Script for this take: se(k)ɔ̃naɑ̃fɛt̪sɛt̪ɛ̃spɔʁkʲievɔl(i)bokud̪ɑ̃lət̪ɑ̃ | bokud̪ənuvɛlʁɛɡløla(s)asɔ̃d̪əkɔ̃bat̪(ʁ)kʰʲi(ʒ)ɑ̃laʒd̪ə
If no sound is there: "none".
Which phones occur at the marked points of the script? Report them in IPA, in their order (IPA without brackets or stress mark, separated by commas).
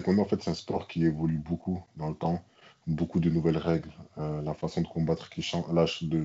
k, y, f, χ, ʃ